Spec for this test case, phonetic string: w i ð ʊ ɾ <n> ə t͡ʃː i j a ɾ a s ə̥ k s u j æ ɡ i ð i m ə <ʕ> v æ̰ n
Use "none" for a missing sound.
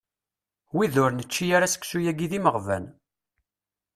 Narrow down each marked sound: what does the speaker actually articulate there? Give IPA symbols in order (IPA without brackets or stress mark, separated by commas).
n, ʁ